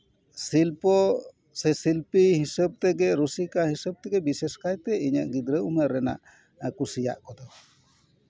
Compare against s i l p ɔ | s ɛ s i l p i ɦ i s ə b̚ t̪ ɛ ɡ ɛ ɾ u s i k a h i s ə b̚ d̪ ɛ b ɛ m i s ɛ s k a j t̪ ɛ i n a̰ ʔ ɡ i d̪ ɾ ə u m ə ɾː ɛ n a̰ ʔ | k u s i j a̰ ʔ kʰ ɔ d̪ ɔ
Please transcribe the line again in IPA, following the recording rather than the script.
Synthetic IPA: s i l p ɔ | s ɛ s i l p i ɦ i s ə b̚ t̪ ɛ ɡ ɛ ɾ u s i k a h i s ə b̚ t̪ ɛ ɡ ɛ b i s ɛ s k a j t̪ ɛ i ɲ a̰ ʔ ɡ i d̪ ɾ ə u m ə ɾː ɛ n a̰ ʔ | k u s i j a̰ ʔ k ɔ d̪ ɔ